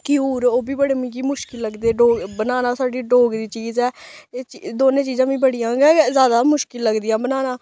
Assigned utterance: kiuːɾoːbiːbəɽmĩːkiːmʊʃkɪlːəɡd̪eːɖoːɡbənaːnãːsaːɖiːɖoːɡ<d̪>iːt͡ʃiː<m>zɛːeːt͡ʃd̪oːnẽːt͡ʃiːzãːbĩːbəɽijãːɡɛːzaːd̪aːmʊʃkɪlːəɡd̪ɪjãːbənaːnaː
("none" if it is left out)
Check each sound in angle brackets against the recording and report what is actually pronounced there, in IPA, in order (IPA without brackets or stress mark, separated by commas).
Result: d̪, none